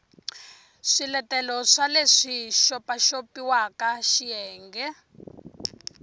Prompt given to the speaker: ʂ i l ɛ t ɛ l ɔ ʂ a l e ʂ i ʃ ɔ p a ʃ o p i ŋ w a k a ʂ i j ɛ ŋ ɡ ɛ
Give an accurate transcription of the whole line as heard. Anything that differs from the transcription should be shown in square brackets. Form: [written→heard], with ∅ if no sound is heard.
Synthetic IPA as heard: ʂ i l ɛ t ɛ l ɔ ʂ a l e ʂ i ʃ ɔ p a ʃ o p i [ŋ→∅] w a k a [ʂ→ʃ] i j [ɛ→ɛː] ŋ ɡ ɛ